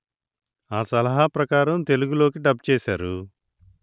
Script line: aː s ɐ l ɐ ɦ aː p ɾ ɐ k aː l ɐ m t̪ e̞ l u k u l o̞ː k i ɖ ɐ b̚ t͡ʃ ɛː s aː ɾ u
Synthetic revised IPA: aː s ɐ l ɐ ɦ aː p ɾ ɐ k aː ɾ ɐ m t̪ e̞ l u ɡ u l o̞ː k i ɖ ɐ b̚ t͡ʃ ɛː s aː ɾ u